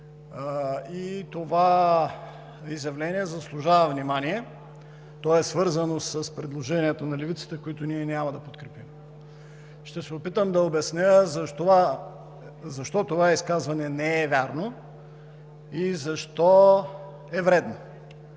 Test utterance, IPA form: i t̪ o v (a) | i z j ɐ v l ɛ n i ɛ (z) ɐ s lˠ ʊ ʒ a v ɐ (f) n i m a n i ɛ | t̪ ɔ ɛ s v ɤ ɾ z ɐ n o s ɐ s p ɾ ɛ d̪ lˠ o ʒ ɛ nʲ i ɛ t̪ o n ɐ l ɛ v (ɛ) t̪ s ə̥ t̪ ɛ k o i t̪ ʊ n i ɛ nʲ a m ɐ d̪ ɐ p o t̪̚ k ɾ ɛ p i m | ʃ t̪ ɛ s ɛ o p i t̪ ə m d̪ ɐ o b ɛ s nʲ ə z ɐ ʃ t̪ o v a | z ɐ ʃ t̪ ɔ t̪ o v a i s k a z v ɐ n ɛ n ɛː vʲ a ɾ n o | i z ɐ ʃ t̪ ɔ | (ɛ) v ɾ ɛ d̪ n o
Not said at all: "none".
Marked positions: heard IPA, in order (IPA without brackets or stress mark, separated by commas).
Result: a, z, v, i, ɛ